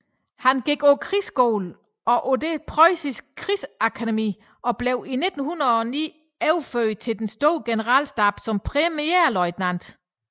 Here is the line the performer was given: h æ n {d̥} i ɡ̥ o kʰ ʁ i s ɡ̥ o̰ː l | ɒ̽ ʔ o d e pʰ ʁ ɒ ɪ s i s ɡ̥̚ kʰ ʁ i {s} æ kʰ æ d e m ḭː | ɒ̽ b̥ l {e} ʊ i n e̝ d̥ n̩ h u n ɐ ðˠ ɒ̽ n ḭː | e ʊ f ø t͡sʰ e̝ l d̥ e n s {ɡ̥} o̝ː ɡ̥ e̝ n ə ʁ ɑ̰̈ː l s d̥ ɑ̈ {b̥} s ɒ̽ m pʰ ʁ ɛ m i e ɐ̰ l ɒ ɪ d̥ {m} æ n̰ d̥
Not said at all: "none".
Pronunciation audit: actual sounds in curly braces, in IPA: ɡ̥, s, e, d̥, b̥, n

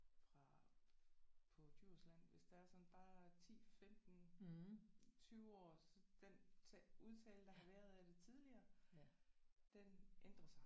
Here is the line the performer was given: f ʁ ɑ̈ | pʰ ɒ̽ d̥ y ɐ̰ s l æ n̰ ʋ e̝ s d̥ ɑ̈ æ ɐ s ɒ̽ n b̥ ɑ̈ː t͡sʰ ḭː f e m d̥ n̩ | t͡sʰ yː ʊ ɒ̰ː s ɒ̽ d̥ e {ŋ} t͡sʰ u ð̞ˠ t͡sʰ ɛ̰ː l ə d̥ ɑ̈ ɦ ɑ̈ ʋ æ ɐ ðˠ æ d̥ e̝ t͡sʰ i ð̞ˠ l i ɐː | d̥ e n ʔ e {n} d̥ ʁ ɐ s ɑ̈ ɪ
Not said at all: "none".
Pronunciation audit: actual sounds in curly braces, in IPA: n, n

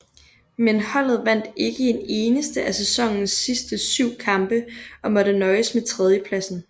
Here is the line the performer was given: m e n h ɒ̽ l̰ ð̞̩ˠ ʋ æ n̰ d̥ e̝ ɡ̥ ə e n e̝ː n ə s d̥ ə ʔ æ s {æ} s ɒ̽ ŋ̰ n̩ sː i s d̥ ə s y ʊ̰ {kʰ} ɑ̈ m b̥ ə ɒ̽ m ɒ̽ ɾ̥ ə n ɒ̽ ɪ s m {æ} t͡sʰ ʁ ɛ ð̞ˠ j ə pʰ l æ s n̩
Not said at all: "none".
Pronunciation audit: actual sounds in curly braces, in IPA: e, kʰ, e

